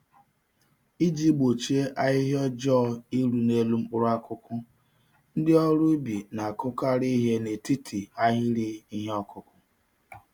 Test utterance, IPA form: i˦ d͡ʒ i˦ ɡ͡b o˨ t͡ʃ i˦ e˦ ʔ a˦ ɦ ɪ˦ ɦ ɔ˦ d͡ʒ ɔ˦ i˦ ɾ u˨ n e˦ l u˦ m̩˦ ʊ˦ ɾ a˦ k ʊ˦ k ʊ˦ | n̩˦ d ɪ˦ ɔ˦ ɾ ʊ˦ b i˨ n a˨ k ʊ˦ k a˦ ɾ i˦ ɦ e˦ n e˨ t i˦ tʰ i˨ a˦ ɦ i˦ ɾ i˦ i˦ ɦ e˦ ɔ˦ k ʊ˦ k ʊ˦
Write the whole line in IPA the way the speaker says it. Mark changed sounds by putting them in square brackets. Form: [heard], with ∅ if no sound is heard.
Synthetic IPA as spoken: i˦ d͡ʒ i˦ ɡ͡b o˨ t͡ʃ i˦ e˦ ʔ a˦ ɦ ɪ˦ ɦ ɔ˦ d͡ʒ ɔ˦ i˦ ɾ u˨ n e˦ l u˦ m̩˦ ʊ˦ ɾ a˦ k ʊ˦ k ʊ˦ | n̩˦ d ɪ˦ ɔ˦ ɾ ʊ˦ b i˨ n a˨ k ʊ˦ k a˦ ɾ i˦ ɦ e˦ n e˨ t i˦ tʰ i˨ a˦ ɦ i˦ ɾ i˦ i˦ ɦ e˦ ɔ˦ k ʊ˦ k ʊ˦